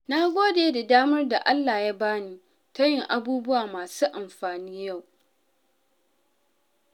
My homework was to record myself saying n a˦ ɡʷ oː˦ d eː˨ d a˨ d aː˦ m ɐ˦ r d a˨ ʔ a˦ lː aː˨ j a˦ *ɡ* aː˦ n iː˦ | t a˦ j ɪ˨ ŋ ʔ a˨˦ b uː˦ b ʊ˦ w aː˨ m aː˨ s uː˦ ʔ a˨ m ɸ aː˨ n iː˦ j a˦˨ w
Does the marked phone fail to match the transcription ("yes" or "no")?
yes